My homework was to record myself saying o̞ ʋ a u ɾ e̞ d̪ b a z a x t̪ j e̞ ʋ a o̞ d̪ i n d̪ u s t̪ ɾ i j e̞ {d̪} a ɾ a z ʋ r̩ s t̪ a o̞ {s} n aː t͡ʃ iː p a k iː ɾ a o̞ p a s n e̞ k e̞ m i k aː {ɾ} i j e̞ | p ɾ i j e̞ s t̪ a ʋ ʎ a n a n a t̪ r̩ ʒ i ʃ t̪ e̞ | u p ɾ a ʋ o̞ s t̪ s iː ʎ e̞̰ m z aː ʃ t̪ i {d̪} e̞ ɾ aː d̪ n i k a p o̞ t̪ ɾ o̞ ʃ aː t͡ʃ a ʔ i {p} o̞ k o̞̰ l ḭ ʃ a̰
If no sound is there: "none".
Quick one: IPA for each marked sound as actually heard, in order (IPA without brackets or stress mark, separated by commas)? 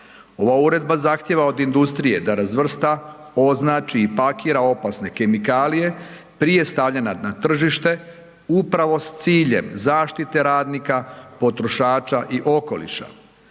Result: d̪, z, l, t̪, ʔ